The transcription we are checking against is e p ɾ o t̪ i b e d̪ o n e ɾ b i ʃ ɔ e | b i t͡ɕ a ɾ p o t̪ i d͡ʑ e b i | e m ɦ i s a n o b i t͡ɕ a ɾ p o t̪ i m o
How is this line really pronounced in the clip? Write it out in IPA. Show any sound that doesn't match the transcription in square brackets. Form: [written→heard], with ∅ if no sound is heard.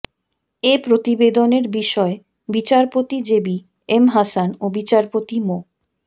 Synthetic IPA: e p ɾ o t̪ i b e d̪ o n e ɾ b i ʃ ɔ e | b i t͡ɕ a ɾ p o t̪ i d͡ʑ e b i | e m ɦ [i→a] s a n o b i t͡ɕ a ɾ p o t̪ i m o